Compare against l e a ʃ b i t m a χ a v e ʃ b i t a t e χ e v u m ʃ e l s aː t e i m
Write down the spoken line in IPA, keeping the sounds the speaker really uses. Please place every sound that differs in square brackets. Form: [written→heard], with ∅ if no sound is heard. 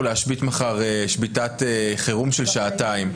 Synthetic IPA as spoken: l e a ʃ b i t m a χ a [v→ʁ] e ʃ b i t a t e χ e [v→ʁ] u m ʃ e l [s→ʃ] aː t [e→a] i m